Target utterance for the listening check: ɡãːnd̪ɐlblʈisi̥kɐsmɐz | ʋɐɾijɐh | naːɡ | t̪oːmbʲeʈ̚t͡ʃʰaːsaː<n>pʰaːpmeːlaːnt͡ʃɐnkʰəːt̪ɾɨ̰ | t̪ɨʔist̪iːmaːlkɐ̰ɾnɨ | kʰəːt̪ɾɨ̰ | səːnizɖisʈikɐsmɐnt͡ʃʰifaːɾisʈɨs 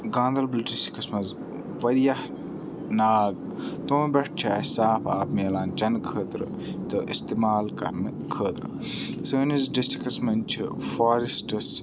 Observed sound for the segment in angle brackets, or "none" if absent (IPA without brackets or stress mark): none